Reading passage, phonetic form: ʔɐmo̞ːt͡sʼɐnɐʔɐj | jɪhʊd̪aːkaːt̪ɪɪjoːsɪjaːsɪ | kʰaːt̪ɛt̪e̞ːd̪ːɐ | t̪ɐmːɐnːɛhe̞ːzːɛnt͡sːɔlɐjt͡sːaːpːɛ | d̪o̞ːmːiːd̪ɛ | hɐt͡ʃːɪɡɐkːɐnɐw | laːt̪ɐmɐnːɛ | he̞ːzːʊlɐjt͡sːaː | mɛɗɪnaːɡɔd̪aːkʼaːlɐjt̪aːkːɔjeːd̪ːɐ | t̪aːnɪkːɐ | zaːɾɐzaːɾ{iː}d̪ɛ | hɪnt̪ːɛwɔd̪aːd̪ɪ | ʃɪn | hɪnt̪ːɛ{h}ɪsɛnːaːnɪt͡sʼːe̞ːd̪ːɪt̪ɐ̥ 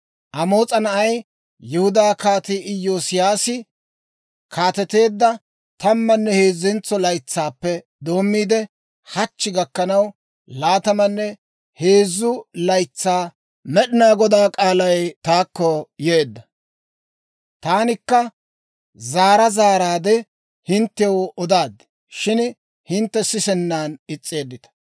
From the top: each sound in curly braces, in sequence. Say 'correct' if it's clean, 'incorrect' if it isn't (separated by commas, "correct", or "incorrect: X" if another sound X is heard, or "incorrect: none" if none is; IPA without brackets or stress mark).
incorrect: aː, incorrect: s